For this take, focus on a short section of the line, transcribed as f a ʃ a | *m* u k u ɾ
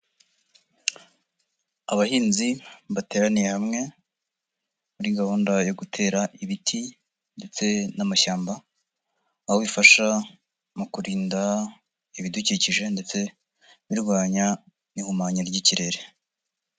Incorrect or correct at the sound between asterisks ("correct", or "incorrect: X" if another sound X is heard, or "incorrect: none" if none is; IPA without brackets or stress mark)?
correct